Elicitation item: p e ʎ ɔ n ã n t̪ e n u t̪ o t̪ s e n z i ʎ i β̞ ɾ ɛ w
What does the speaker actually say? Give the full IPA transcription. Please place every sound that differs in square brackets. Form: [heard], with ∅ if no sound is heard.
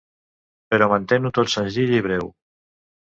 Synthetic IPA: p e [ɾ] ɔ [m] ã n t̪ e n u t̪ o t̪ s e n z i ʎ i β̞ ɾ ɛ w